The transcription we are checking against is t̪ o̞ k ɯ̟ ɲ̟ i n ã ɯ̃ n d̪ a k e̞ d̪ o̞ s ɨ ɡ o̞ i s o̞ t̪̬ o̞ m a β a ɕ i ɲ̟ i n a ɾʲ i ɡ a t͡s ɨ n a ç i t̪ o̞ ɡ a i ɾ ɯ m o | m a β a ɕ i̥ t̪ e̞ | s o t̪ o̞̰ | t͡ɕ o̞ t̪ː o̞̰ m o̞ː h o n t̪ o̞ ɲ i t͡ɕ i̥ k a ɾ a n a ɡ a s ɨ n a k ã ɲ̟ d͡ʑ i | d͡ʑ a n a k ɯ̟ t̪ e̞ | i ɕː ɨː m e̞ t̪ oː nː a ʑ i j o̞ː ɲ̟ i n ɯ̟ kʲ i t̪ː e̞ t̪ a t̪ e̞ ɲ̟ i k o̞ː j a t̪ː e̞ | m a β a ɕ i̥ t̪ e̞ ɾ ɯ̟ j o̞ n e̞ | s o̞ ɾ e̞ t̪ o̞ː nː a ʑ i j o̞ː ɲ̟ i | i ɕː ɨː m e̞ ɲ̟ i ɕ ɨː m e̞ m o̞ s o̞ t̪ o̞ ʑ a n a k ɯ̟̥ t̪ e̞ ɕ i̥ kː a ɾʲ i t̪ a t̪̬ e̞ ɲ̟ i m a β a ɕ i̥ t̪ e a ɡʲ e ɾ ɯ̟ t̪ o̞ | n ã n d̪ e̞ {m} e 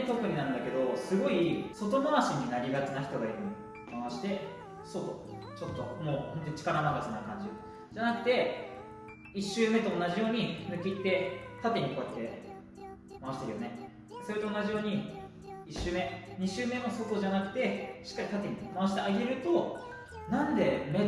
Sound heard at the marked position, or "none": m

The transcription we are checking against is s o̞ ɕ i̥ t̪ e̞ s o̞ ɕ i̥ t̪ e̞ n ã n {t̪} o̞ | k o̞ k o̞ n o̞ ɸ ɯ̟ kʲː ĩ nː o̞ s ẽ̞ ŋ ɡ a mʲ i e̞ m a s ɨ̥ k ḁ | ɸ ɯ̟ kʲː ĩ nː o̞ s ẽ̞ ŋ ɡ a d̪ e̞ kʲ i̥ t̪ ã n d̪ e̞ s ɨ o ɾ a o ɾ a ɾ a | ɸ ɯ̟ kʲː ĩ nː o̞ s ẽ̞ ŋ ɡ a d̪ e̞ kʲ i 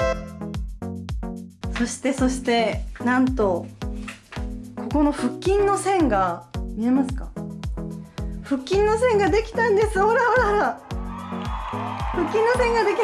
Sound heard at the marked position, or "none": t̪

